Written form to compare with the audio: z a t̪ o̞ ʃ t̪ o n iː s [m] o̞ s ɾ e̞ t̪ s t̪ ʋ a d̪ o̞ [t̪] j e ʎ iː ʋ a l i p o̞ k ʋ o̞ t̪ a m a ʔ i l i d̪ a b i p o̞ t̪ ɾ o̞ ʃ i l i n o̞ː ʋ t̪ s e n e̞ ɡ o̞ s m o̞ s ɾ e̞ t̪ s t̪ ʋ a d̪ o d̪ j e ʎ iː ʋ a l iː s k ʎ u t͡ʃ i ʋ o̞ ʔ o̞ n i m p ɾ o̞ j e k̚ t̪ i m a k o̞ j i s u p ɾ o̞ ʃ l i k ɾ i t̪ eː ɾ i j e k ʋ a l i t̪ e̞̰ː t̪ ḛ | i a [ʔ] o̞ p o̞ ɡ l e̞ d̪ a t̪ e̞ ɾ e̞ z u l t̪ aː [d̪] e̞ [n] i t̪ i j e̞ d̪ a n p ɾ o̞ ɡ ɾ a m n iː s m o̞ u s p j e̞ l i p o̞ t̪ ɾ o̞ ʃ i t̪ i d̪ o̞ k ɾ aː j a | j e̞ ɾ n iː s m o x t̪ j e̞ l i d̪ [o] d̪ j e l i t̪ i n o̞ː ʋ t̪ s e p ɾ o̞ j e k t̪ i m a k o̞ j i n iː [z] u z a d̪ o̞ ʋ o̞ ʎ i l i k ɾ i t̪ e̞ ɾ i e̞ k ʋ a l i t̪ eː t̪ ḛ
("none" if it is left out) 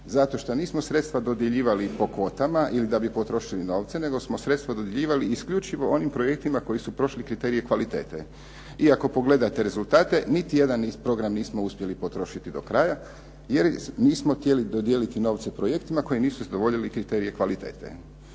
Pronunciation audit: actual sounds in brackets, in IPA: m, d̪, k, t̪, n, o, s

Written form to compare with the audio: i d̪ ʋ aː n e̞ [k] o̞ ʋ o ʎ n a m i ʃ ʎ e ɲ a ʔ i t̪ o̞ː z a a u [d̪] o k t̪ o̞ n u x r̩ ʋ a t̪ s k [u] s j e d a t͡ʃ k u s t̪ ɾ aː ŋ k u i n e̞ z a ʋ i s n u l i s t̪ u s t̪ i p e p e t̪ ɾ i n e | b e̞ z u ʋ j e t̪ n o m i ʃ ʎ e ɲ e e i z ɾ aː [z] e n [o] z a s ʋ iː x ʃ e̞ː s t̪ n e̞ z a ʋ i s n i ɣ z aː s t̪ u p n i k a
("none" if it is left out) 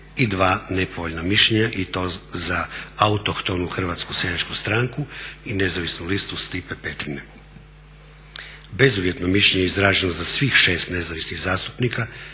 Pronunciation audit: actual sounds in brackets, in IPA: p, t̪, u, ʒ, o

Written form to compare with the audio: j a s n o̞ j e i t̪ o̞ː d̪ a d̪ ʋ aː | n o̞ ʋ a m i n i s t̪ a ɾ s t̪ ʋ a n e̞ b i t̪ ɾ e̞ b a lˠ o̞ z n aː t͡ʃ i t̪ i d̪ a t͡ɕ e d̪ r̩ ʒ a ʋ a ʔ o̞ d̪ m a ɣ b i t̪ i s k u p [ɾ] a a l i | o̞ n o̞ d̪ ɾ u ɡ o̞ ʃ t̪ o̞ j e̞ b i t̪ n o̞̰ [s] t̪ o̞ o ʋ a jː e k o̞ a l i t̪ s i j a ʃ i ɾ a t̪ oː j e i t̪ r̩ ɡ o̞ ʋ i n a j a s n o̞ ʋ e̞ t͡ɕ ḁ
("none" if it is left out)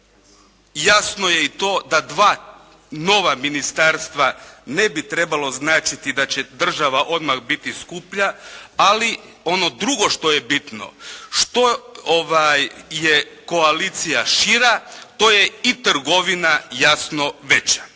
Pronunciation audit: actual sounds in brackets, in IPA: ʎ, ʃ

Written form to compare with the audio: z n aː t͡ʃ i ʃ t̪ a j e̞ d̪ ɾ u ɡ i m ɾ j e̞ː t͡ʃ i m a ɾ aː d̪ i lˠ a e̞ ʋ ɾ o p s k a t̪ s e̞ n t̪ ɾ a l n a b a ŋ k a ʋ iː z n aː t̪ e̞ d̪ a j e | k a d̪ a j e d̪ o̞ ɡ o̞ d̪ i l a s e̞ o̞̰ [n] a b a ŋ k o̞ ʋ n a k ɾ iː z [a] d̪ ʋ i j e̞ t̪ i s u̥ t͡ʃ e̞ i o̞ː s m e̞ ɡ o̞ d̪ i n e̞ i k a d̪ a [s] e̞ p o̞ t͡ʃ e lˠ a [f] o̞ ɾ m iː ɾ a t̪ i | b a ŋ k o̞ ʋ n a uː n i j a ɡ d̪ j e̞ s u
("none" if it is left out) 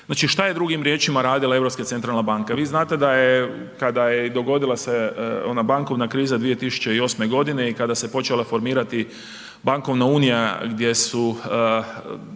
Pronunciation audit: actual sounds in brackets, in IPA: n, a, s, f

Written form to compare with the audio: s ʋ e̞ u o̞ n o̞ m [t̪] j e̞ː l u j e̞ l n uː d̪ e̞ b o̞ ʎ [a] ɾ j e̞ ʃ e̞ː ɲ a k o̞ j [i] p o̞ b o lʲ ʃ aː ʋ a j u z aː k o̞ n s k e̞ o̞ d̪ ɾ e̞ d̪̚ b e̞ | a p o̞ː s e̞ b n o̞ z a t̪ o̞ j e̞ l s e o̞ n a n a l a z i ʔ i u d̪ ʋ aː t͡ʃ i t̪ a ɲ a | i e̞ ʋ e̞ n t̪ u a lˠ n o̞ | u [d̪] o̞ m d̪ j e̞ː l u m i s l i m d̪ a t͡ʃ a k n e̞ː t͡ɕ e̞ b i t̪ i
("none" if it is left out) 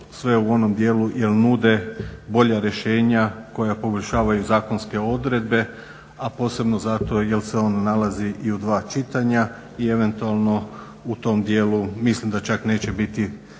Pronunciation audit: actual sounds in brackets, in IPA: d̪, a, a, t̪

